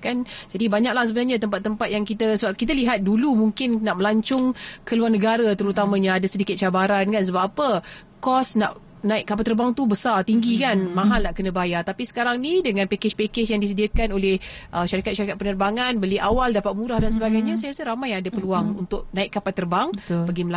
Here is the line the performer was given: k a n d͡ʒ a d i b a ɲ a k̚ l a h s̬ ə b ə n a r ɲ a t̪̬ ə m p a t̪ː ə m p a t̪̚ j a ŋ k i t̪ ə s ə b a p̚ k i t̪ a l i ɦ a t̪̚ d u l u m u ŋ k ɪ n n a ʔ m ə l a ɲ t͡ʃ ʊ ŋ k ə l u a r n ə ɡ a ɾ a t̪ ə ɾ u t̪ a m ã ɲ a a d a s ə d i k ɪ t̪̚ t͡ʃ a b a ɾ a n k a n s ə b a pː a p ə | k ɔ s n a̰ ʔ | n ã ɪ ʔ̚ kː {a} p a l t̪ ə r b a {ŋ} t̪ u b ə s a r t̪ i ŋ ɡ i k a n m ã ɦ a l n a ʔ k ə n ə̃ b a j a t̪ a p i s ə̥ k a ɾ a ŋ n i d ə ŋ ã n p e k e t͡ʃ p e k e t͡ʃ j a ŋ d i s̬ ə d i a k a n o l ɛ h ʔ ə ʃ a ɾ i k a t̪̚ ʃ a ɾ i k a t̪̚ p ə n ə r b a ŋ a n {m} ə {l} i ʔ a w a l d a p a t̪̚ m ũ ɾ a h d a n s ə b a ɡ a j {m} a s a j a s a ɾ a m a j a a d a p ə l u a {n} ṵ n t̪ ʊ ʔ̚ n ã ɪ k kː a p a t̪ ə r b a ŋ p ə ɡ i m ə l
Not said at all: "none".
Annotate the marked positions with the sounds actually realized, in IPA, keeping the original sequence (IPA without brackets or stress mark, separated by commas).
a, ŋ, b, l, ɲ, ŋ